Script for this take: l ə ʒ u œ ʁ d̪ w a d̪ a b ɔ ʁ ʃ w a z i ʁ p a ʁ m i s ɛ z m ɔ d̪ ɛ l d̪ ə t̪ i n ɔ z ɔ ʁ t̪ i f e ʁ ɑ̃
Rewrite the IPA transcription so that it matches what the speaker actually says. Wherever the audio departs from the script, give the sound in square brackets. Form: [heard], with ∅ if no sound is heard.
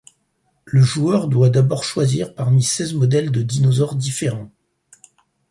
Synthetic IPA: l ə ʒ u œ ʁ d̪ w a d̪ a b ɔ ʁ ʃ w a z i ʁ p a ʁ m i s ɛ z m ɔ d̪ ɛ l d̪ ə [d̪] i n ɔ z ɔ ʁ [d̪] i f e ʁ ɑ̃